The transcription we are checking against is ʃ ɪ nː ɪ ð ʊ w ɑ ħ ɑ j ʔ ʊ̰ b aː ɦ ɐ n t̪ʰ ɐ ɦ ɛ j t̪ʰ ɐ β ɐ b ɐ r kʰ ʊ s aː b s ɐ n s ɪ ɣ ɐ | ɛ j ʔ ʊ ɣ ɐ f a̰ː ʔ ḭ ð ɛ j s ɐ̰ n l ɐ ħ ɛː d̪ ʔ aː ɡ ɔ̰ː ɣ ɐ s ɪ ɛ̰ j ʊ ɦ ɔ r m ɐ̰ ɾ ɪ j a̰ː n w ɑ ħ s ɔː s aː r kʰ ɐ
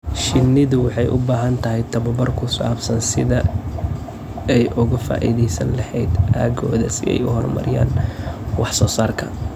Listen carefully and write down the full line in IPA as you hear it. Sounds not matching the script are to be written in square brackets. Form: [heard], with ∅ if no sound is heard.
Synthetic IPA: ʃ ɪ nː ɪ ð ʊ w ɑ ħ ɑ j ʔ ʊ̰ b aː ɦ ɐ n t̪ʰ ɐ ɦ ɛ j t̪ʰ ɐ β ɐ b ɐ r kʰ ʊ s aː b s ɐ n s ɪ [ð] ɐ | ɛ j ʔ ʊ ɣ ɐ f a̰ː ʔ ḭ ð ɛ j s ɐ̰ n l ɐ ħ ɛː d̪ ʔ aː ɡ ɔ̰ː [ð] ɐ s ɪ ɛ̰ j ʊ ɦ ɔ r m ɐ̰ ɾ ɪ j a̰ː n w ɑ ħ s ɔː s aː r kʰ ɐ